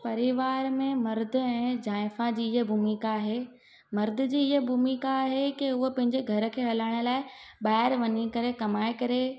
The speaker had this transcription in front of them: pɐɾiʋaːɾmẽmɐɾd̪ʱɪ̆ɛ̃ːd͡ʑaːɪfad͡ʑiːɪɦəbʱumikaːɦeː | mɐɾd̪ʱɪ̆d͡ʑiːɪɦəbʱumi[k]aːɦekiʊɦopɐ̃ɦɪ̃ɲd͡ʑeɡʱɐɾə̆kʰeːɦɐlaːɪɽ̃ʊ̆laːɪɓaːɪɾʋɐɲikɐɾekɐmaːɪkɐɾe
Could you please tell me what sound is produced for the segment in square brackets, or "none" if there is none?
k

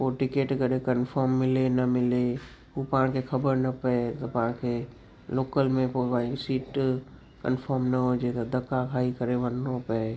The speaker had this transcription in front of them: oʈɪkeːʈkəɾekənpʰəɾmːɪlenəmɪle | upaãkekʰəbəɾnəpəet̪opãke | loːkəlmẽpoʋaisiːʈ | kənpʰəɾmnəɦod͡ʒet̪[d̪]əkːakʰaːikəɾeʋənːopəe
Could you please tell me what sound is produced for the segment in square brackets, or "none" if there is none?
d̪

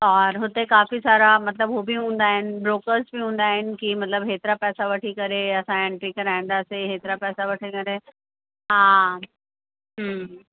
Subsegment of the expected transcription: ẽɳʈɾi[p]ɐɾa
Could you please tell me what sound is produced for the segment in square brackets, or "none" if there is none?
k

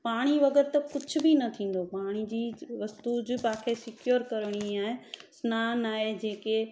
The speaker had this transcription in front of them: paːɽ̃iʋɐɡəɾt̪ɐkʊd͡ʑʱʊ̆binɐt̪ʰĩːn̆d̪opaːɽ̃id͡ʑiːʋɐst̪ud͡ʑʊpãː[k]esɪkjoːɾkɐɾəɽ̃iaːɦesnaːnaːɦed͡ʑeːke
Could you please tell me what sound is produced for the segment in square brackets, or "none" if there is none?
kʰ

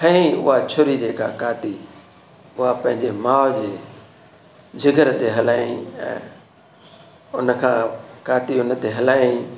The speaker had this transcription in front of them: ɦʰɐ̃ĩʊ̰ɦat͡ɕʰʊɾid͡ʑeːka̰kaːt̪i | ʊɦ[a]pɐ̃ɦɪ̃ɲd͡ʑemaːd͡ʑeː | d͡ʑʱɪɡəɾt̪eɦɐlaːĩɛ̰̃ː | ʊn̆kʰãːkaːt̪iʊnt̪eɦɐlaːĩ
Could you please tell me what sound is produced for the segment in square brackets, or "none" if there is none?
a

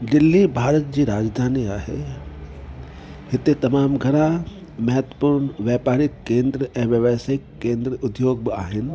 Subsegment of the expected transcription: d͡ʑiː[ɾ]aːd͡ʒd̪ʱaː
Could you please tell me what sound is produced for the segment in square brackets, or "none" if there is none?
ɾ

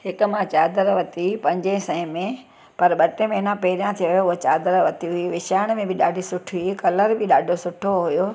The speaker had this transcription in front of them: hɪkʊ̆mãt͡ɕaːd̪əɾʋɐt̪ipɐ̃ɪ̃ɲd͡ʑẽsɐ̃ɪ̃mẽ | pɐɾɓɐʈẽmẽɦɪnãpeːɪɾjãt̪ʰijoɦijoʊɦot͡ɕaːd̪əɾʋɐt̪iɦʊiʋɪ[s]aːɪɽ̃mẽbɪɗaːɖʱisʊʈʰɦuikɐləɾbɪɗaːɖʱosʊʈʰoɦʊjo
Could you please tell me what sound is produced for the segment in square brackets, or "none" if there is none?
ʃ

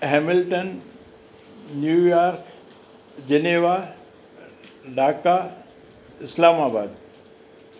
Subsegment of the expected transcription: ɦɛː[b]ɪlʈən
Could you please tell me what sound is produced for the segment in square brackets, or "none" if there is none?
m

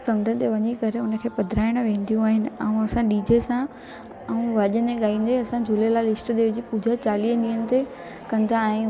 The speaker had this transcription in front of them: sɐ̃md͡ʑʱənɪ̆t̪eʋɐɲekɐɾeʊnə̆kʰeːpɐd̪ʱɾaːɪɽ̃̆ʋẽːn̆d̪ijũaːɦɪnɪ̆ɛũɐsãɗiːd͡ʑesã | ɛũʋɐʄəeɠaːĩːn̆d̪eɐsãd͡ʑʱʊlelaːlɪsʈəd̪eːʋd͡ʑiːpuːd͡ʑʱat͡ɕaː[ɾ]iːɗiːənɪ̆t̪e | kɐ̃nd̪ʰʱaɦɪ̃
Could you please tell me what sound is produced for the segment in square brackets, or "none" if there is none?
l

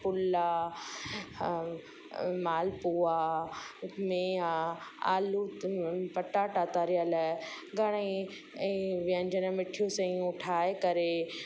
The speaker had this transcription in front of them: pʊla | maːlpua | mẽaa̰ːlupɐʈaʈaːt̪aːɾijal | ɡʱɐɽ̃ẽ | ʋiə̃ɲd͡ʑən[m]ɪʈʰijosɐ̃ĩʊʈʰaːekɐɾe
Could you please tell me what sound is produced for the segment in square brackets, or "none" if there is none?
m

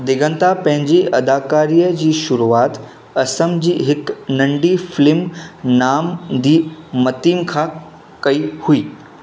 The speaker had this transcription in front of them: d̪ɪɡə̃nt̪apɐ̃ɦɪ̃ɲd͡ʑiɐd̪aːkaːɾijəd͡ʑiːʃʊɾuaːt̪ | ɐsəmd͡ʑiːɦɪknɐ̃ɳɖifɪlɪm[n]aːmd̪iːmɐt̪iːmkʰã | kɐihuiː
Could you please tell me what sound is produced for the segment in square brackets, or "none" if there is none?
n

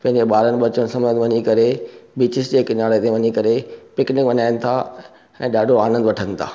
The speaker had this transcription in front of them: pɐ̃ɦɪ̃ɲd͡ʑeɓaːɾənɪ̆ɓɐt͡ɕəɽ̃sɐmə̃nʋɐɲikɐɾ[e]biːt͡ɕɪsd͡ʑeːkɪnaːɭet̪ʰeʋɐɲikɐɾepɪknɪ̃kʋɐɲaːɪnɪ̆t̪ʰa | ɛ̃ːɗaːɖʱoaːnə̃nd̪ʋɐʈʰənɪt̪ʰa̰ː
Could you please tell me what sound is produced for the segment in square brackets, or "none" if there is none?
e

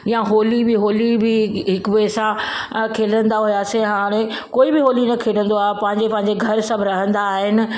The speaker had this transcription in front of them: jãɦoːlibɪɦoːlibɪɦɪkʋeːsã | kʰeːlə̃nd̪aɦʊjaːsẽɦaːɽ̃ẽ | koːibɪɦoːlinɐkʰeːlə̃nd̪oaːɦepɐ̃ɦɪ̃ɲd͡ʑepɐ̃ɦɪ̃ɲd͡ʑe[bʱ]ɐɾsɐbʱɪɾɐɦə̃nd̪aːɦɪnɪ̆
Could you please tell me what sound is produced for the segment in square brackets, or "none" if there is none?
ɡʱ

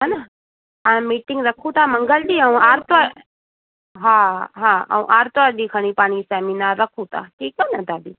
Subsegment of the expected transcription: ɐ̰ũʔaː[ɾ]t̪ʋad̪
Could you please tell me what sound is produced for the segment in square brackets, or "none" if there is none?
ɾ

